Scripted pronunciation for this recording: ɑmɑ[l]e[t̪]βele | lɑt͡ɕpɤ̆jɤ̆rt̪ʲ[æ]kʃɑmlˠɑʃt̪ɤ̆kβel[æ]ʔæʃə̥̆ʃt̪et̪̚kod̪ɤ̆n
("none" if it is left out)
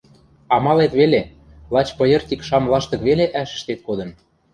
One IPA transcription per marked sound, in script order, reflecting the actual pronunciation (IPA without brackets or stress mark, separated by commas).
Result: l, t̪, i, e